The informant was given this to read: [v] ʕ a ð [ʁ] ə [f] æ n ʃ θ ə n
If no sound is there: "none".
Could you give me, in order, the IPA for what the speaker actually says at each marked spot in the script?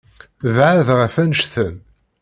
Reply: v, ʁ, f

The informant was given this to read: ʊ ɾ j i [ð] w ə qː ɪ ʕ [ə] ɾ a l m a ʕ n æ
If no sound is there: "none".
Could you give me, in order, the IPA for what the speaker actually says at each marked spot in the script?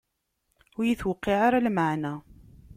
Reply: θ, a

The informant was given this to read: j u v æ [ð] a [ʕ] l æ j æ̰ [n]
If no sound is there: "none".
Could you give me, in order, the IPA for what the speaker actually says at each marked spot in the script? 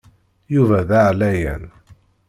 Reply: ð, ʕ, n

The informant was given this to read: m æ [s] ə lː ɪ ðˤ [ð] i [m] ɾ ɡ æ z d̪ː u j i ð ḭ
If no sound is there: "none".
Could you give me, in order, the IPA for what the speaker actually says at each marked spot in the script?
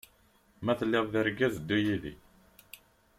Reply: θ, ð, none

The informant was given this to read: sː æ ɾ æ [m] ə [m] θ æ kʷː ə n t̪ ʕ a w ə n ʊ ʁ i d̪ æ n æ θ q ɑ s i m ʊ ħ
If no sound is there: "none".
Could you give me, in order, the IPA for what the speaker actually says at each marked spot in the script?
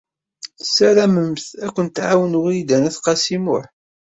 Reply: m, m

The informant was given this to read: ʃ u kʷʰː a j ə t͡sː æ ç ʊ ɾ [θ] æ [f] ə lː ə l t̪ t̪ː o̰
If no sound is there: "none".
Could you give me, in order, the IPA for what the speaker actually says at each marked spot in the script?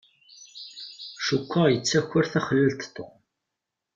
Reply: θ, χ

